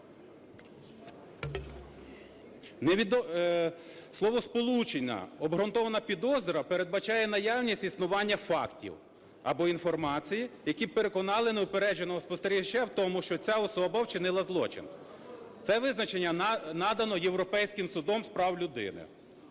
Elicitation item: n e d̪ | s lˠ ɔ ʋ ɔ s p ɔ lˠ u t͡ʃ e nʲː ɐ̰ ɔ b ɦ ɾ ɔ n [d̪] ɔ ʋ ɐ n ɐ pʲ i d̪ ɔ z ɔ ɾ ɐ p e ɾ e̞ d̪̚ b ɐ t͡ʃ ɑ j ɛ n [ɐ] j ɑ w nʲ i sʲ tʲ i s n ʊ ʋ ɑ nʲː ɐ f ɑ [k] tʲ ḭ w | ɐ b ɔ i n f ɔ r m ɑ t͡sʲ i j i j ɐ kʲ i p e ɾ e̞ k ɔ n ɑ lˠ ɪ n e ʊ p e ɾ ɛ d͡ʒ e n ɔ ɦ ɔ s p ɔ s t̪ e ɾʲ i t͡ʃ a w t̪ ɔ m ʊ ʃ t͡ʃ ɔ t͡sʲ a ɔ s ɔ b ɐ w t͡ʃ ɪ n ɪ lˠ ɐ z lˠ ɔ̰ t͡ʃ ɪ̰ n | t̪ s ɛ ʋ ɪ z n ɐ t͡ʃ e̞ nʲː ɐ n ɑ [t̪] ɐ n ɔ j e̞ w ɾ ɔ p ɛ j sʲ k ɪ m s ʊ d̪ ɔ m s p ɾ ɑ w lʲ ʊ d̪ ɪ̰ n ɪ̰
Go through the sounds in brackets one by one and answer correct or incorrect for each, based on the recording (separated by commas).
incorrect, correct, correct, incorrect